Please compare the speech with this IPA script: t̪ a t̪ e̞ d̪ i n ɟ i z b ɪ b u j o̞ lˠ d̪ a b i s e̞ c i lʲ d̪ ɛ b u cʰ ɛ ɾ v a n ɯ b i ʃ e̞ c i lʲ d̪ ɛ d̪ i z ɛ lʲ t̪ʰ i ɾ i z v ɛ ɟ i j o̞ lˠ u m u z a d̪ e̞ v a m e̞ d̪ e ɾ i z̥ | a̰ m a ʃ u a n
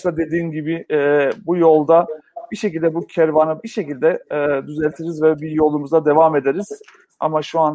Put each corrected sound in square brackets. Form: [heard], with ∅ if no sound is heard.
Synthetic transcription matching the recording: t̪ a [d̪] e̞ d̪ [iː] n ɟ i [∅] b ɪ b u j o̞ lˠ d̪ a b i [ʃ] e̞ c i lʲ d̪ ɛ b u cʰ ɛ ɾ v a n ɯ b i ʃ e̞ c i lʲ d̪ ɛ d̪ [y] z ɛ lʲ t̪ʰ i ɾ i z v ɛ [b] i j o̞ lˠ u m u z a d̪ e̞ v a m e̞ d̪ e ɾ i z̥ | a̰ m a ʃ u a n